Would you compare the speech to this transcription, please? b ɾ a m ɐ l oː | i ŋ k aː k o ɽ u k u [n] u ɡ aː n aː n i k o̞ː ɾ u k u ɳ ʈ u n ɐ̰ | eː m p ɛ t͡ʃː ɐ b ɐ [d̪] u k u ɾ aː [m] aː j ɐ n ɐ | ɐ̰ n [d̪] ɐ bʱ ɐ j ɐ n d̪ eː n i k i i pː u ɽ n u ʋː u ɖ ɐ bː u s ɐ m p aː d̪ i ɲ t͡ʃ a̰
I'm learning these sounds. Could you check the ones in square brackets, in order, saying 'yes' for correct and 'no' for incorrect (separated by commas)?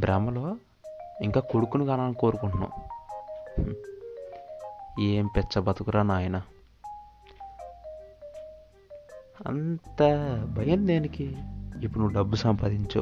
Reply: yes, no, no, no